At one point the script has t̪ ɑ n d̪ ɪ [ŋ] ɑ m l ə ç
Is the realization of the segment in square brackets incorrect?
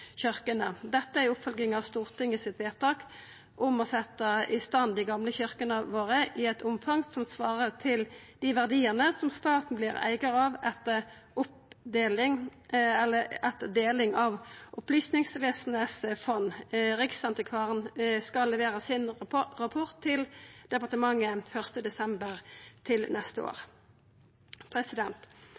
yes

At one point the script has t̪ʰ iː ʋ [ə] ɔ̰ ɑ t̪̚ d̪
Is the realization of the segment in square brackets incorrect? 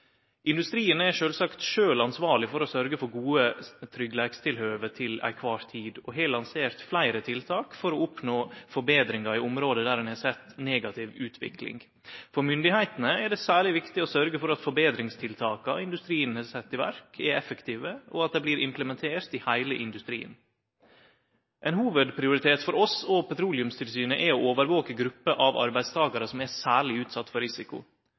no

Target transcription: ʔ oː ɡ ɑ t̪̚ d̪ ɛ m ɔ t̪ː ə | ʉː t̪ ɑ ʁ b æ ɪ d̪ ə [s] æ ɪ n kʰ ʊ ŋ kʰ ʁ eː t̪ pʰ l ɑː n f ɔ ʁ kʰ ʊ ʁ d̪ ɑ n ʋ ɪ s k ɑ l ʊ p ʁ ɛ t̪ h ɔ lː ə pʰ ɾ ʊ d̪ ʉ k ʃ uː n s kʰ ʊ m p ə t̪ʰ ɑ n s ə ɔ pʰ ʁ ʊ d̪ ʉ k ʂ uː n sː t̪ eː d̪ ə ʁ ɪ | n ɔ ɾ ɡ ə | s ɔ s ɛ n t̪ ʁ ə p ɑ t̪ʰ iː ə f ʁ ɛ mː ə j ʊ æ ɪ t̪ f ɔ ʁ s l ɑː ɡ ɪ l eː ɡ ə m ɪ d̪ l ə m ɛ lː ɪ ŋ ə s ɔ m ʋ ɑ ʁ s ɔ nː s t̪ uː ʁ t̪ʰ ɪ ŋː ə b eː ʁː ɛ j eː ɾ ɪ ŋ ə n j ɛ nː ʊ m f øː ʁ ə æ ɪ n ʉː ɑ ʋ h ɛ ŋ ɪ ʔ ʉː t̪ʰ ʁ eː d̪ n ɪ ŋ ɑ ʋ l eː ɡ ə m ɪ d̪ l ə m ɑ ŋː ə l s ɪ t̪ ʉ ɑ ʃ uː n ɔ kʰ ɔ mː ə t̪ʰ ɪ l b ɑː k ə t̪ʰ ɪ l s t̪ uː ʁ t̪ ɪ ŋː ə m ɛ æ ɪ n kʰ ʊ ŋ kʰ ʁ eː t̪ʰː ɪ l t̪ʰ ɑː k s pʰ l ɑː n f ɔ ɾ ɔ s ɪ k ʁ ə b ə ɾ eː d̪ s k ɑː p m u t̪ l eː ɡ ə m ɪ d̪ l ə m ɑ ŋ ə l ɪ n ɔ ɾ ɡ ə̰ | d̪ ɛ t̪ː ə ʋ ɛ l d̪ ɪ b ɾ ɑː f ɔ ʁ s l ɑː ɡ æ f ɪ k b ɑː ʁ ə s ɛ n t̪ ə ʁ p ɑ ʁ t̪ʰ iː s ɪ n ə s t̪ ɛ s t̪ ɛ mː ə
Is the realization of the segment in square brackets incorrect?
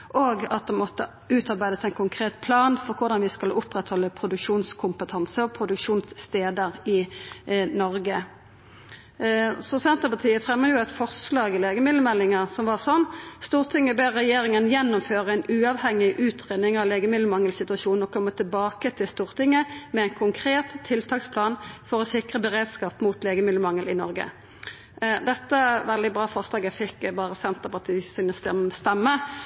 no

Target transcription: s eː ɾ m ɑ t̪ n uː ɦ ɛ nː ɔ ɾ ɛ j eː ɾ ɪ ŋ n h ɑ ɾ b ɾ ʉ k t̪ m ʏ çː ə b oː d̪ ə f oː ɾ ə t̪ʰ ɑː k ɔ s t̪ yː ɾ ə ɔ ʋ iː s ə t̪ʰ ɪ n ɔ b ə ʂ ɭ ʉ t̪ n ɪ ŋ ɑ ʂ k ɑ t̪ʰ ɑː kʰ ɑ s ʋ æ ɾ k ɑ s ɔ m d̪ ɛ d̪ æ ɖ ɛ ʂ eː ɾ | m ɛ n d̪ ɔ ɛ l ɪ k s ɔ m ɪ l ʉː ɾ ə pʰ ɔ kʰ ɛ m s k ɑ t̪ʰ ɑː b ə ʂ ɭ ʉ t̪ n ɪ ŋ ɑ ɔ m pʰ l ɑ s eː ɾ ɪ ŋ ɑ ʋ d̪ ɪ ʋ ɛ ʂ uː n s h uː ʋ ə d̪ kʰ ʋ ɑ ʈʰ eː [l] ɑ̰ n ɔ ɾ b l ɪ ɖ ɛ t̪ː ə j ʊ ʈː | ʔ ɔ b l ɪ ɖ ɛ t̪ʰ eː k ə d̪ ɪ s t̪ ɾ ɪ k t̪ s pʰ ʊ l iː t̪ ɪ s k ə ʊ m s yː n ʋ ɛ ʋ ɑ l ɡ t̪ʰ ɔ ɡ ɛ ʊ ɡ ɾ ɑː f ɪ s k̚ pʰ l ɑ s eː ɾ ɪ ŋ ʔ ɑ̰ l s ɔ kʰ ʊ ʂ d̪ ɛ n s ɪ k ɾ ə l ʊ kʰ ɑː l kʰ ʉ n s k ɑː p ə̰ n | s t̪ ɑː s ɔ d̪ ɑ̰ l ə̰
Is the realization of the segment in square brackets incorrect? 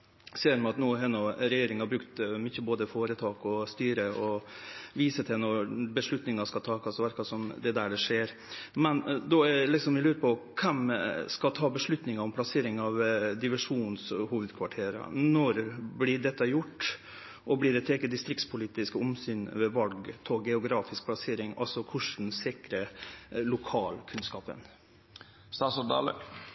yes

